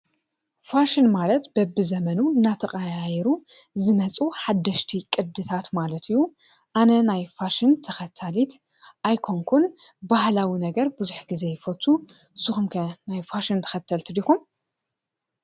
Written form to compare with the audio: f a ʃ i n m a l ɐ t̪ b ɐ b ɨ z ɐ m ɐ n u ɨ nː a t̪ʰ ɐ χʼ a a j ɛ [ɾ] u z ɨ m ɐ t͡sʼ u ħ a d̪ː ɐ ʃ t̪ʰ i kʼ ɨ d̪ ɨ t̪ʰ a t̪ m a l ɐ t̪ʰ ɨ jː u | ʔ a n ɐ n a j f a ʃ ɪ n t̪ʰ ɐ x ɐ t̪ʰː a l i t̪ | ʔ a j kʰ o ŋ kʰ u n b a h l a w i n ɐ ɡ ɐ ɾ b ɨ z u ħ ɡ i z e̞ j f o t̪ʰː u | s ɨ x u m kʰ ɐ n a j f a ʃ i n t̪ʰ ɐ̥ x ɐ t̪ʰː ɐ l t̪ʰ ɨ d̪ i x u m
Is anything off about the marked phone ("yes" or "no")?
no